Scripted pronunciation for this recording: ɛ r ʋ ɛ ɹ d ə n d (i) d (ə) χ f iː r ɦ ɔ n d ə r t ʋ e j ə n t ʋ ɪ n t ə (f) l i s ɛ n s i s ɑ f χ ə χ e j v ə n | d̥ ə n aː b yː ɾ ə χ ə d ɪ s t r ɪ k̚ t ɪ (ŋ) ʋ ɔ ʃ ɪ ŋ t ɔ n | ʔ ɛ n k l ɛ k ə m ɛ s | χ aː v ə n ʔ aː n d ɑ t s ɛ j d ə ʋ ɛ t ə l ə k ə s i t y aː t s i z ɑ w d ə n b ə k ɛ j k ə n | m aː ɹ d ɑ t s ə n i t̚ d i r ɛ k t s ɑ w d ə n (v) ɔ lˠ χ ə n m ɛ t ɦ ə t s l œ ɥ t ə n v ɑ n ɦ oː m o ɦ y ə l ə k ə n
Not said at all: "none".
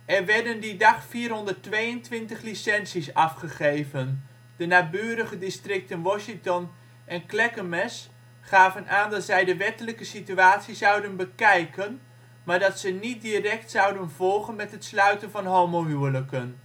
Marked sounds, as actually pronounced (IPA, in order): i, ɑ, χ, n, v

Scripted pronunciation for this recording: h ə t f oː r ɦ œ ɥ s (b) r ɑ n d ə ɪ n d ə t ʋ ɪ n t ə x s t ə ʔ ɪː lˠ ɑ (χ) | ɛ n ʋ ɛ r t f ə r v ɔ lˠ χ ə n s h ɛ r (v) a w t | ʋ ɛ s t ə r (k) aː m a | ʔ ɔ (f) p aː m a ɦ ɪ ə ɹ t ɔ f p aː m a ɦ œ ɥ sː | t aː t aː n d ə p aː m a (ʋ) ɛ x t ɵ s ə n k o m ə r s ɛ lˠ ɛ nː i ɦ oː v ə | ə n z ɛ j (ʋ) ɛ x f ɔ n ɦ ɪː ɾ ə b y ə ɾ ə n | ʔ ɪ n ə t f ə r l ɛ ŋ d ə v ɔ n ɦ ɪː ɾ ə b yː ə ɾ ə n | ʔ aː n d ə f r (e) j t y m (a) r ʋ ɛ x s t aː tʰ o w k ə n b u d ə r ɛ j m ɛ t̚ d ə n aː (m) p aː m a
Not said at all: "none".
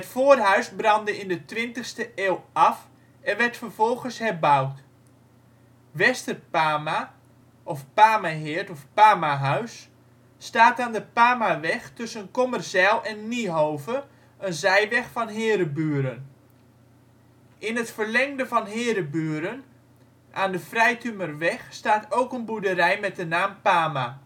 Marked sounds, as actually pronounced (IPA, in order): b, f, b, p, f, ʋ, ʋ, ɛ, ə, m

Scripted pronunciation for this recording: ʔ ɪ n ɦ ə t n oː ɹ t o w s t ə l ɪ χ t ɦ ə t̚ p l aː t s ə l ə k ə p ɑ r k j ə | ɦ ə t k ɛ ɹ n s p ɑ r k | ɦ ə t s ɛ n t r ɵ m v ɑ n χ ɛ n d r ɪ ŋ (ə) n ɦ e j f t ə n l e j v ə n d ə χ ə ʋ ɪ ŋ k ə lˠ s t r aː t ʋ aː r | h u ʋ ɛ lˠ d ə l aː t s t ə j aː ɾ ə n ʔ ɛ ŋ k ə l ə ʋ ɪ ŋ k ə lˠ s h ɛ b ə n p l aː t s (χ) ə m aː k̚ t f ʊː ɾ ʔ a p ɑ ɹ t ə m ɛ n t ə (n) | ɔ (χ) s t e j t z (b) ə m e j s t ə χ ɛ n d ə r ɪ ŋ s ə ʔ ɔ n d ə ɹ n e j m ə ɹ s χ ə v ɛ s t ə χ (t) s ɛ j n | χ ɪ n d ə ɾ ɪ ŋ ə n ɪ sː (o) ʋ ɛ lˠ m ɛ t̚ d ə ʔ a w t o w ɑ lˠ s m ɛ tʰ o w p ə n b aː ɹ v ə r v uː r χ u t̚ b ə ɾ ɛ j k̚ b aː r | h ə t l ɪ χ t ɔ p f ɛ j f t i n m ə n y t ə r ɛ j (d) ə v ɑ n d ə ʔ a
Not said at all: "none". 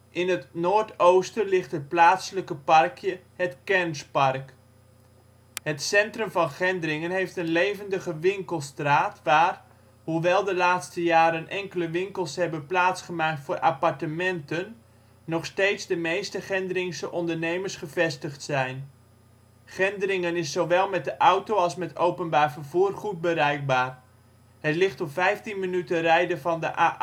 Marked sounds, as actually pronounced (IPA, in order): ə, χ, nː, χ, d, t, o, d

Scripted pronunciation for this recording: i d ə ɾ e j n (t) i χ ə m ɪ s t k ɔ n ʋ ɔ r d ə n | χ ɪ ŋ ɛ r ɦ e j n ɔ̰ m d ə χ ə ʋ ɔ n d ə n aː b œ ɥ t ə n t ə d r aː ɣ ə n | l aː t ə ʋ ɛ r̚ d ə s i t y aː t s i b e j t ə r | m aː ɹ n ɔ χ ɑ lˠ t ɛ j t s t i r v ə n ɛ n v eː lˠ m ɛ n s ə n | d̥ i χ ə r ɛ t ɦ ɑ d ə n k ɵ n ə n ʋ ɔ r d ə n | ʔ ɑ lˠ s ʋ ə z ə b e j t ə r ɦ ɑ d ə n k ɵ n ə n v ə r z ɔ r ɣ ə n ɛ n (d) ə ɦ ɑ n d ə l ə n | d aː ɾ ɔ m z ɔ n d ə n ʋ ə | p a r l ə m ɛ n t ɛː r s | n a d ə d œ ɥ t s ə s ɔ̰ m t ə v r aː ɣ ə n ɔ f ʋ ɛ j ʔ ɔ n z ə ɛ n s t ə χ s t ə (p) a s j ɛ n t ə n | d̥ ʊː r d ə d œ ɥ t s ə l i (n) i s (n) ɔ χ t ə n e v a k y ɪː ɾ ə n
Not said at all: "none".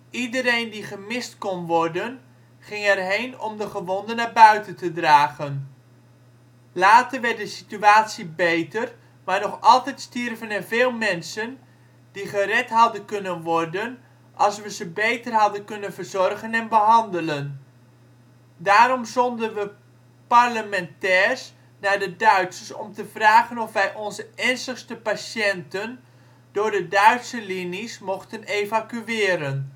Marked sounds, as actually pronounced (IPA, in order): d, b, p, n, m

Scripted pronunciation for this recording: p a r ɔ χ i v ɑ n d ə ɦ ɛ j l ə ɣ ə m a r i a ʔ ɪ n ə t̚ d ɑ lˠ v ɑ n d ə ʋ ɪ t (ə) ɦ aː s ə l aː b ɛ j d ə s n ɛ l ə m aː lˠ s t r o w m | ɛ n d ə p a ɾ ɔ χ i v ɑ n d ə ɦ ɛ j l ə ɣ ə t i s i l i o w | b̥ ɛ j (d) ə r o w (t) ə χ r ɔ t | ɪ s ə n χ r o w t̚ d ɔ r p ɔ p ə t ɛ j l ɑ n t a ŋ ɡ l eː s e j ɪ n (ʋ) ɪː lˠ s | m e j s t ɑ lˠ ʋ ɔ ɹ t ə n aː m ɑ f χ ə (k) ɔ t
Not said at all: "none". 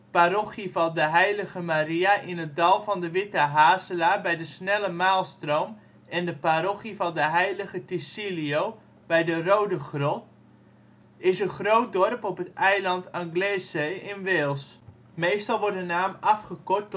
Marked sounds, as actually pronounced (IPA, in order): ə, d, d, ʋ, k

